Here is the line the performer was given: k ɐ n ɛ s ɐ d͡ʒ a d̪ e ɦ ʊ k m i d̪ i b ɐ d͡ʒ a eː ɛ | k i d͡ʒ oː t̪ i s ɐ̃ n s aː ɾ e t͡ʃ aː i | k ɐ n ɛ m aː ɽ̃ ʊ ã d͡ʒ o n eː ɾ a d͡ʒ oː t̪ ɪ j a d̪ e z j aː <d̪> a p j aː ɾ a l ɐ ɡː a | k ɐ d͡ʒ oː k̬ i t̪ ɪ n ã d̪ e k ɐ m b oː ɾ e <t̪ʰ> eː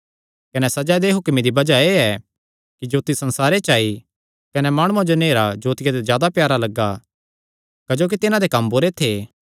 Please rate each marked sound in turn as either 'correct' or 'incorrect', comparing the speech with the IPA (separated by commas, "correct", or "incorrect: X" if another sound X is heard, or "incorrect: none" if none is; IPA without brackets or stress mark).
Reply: correct, correct